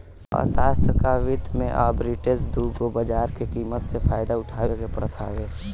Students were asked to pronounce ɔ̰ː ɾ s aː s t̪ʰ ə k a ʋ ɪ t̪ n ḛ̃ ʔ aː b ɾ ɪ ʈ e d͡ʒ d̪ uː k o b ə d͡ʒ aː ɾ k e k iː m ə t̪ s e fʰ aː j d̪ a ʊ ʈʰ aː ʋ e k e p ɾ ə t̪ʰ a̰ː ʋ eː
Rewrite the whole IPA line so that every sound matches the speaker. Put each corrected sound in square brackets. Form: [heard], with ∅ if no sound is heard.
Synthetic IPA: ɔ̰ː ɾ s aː s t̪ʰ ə k a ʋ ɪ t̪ [m] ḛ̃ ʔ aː b ɾ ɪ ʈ e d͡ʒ d̪ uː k o b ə d͡ʒ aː ɾ k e k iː m ə t̪ s e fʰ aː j d̪ a ʊ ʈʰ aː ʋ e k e p ɾ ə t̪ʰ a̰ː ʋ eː

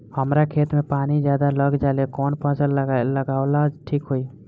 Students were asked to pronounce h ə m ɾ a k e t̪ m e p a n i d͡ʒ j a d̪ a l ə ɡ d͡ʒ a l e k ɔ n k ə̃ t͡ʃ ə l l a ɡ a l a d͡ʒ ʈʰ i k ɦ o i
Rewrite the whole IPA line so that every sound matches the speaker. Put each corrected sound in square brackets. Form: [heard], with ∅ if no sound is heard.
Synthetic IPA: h ə m ɾ a [kʰ] e t̪ m e p a n i d͡ʒ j a d̪ a l ə ɡ d͡ʒ a l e k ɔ n [p] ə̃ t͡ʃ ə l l [ə] ɡ a l a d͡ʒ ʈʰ i k ɦ o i

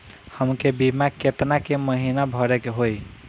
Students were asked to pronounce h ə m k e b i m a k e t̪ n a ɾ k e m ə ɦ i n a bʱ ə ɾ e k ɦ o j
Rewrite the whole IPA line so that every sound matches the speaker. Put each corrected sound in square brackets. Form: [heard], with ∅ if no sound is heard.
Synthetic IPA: h ə m k e b i m a k e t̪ n a [∅] k e m ə ɦ i n a bʱ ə ɾ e k ɦ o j

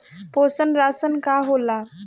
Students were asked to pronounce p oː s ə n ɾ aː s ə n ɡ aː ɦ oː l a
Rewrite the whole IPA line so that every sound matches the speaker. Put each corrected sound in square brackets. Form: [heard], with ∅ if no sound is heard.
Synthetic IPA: p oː s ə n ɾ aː s ə n [k] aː ɦ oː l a

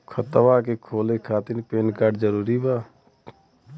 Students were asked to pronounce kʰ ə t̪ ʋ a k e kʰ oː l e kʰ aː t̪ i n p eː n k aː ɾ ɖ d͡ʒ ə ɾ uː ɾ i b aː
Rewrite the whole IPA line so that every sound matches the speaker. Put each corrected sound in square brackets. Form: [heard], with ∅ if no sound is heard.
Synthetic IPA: kʰ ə t̪ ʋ a k e kʰ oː l e kʰ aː t̪ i n p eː n k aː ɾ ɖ d͡ʒ ə ɾ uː ɾ i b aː

